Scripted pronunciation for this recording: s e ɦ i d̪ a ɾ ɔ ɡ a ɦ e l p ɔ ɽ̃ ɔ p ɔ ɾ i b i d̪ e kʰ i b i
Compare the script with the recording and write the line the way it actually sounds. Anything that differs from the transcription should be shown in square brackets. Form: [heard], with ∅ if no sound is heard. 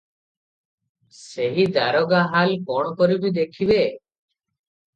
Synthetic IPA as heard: s e ɦ i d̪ a ɾ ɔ ɡ a ɦ [a] l [k] ɔ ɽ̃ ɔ [k] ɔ ɾ i b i d̪ e kʰ i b [e]

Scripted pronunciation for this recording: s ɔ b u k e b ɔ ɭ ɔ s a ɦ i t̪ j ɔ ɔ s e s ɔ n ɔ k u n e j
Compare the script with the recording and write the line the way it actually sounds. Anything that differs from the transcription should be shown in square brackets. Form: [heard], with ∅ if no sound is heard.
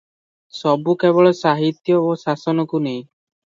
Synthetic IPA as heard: s ɔ b u k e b ɔ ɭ ɔ s a ɦ i t̪ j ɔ [o] s [a] s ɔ n ɔ k u n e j

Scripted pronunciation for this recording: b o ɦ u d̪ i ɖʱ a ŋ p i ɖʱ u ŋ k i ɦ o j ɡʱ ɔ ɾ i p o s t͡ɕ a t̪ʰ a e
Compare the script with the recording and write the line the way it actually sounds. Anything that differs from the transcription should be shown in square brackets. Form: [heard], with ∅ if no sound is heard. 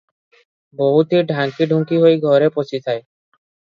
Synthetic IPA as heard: b o ɦ u [t̪] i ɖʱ a ŋ [k] i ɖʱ u ŋ k i ɦ o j ɡʱ ɔ ɾ [e] p o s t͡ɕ [i] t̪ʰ a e

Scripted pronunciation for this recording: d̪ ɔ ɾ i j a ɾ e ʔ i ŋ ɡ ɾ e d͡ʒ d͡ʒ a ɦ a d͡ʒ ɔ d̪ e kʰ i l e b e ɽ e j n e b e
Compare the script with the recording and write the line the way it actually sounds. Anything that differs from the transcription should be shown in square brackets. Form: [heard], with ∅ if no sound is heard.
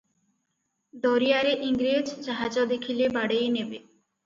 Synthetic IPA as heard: d̪ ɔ ɾ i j a ɾ e ʔ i ŋ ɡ ɾ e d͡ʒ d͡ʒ a ɦ a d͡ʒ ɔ d̪ e kʰ i l e b [a] ɽ e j n e b e

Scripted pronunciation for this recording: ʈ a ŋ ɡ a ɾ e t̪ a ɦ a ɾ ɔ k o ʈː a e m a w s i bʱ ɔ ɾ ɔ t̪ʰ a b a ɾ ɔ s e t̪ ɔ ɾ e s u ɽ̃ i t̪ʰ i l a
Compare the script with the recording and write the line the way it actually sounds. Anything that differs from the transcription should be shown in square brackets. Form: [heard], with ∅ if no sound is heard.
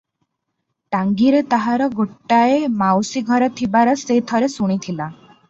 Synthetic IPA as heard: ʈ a ŋ ɡ [i] ɾ e t̪ a ɦ a ɾ ɔ [ɡ] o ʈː a e m a w s i [ɡʱ] ɔ ɾ ɔ t̪ʰ [i] b a ɾ ɔ s e [t̪ʰ] ɔ ɾ e s u ɽ̃ i t̪ʰ i l a

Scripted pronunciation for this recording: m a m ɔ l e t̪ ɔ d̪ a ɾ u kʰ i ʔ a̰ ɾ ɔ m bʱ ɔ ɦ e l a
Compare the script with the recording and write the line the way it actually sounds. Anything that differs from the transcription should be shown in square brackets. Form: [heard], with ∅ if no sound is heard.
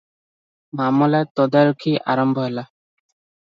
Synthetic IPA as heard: m a m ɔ l [a] t̪ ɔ d̪ a ɾ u kʰ i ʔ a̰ ɾ ɔ m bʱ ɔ ɦ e l a

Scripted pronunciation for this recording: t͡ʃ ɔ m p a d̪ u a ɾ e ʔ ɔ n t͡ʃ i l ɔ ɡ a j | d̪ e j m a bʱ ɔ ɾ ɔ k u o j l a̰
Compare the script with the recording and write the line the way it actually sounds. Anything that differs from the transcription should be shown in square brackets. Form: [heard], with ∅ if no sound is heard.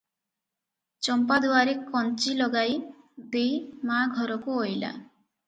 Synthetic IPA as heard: t͡ʃ ɔ m p a d̪ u a ɾ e [k] ɔ n t͡ʃ i l ɔ ɡ a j | d̪ e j m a [ɡʱ] ɔ ɾ ɔ k u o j l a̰

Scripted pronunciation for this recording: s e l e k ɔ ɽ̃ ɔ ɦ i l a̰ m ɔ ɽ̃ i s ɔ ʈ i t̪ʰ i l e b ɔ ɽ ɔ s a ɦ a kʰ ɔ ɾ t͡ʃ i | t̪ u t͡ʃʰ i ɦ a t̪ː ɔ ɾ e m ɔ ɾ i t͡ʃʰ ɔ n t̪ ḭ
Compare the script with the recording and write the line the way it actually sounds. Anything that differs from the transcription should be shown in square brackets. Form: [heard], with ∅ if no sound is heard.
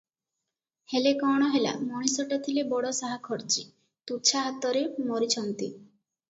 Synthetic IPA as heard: [h] e l e k ɔ ɽ̃ ɔ ɦ [e] l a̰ m ɔ ɽ̃ i s ɔ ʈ [a] t̪ʰ i l e b ɔ ɽ ɔ s a ɦ a kʰ ɔ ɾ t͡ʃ i | t̪ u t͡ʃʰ [a] ɦ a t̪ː ɔ ɾ e m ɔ ɾ i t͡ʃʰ ɔ n t̪ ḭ

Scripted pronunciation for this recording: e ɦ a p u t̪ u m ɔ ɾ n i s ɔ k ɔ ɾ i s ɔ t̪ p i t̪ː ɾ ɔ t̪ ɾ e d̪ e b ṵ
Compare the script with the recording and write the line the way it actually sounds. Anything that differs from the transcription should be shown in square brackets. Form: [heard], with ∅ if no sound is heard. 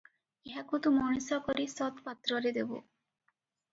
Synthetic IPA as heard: e ɦ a [k] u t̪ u m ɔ [∅] n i s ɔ k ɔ ɾ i s ɔ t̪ p [a] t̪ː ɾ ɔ [∅] ɾ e d̪ e b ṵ

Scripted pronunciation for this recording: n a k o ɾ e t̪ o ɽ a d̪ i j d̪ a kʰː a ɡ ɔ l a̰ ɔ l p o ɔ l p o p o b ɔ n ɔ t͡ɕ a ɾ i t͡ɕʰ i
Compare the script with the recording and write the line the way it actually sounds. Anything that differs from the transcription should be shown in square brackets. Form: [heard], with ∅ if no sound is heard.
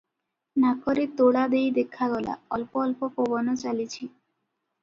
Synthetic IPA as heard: n a k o ɾ e t̪ o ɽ a d̪ [e] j d̪ [e] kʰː a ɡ ɔ l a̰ ɔ l p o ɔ l p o p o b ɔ n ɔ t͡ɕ a [l] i t͡ɕʰ i

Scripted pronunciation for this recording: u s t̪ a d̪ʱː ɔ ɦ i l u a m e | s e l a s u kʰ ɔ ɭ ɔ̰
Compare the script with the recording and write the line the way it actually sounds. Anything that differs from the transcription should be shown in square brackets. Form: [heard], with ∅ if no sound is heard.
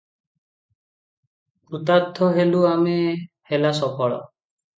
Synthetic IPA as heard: u [∅] t̪ a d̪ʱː ɔ ɦ [e] l u a m e | [h] e l a s [ɔ] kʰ ɔ ɭ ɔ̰

